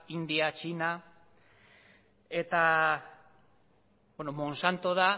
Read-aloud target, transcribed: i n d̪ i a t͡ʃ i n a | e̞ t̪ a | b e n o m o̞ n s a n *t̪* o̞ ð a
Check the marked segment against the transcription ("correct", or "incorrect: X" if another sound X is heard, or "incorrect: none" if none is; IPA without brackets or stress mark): correct